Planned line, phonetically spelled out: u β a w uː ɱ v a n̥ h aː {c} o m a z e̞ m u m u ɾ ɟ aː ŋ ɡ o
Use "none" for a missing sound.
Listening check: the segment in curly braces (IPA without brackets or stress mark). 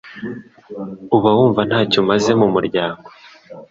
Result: c